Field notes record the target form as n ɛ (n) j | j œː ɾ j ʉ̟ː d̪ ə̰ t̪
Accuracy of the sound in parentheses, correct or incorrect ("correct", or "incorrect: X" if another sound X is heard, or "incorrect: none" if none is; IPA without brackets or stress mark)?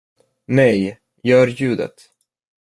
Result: incorrect: none